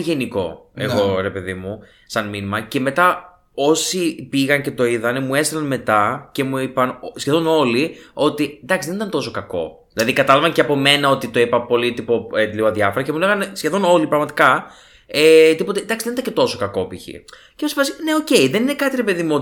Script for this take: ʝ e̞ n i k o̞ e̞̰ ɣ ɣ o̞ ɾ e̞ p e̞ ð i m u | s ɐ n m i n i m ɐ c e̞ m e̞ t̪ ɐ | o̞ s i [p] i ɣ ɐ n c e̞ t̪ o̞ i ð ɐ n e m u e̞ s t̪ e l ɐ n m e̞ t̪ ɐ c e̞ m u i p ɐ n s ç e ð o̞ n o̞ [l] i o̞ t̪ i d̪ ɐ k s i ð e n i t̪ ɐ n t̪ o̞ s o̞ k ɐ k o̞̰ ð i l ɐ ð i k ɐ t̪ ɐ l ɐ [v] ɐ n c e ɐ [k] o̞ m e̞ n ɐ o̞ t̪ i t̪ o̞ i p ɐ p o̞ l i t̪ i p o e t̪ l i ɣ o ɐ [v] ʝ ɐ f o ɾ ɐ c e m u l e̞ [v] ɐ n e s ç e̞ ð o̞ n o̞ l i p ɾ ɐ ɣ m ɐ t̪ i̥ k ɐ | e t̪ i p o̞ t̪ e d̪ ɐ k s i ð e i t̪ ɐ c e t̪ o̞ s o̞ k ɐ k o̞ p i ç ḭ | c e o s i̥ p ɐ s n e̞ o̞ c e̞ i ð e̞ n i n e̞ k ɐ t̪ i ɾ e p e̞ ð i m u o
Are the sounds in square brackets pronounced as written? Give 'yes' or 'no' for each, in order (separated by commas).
yes, yes, yes, no, no, no